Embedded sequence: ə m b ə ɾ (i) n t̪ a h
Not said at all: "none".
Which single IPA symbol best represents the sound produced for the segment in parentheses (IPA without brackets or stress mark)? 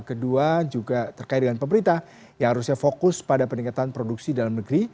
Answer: i